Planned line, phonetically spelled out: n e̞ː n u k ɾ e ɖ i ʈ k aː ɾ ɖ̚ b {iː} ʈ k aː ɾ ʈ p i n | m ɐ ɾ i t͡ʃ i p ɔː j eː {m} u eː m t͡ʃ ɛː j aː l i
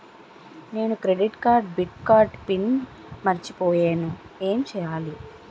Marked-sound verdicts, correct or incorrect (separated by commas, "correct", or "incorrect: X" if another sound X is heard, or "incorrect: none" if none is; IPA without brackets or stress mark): incorrect: i, incorrect: n